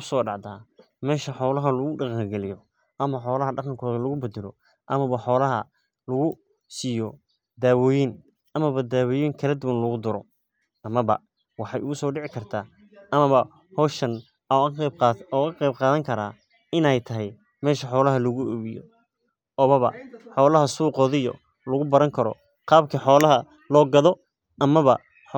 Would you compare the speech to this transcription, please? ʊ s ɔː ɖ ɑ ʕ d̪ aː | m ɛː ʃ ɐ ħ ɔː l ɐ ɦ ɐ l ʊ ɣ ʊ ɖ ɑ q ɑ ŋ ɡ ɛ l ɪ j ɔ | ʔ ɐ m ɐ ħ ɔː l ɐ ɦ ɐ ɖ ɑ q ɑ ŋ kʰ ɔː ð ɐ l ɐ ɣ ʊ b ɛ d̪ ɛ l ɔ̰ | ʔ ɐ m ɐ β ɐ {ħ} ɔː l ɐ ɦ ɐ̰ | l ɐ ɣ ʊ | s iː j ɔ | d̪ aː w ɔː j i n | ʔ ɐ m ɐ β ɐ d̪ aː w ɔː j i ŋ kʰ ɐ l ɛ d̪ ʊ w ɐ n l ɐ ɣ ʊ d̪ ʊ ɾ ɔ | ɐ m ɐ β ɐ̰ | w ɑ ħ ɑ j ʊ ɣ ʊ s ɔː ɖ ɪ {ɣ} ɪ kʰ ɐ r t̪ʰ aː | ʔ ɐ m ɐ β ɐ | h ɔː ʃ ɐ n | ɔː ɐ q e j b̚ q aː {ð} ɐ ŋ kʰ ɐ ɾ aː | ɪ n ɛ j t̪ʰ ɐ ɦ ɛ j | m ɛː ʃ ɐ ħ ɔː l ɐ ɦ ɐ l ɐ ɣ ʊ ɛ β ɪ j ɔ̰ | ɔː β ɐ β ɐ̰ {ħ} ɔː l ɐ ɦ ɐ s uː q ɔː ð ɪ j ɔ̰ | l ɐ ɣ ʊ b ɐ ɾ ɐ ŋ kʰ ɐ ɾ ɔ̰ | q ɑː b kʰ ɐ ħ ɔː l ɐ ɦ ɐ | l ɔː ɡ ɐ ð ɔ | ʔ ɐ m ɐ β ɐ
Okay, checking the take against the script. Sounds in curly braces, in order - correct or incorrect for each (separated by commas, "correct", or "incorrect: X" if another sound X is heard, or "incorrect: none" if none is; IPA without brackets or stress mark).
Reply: correct, incorrect: ʕ, correct, correct